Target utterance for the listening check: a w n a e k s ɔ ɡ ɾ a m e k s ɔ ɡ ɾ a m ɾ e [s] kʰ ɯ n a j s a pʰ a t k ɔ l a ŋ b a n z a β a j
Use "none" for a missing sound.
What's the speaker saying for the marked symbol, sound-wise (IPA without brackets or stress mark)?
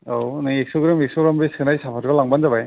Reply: s